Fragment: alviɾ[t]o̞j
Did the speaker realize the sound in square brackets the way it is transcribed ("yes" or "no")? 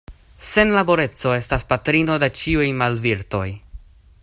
yes